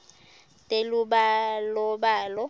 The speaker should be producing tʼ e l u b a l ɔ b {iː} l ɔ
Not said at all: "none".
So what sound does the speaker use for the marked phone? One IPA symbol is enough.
aː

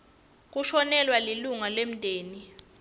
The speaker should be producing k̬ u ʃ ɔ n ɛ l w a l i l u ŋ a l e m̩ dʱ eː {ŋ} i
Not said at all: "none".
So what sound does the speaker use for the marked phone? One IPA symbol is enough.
n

